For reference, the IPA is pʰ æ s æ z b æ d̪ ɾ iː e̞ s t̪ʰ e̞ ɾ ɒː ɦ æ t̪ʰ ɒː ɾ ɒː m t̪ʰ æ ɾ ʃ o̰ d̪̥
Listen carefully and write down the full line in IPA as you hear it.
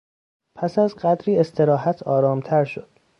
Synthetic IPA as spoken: pʰ æ s æ z ɢ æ d̪ ɾ iː e̞ s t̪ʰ e̞ ɾ ɒː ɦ æ t̪ʰ ɒː ɾ ɒː m t̪ʰ æ ɾ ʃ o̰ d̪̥